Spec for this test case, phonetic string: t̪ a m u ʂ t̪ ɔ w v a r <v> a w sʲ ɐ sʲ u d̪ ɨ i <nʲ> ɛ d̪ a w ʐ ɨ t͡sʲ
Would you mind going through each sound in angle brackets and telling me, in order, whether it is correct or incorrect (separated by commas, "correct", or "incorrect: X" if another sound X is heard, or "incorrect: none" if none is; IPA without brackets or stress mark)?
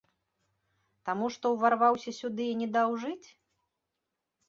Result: correct, correct